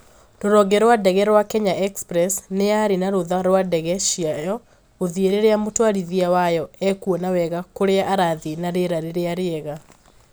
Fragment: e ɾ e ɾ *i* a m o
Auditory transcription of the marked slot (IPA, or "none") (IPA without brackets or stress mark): e